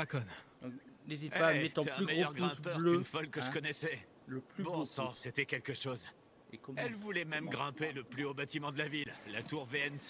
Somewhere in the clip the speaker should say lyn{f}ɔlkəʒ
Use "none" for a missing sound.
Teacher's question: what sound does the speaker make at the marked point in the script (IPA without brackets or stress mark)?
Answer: f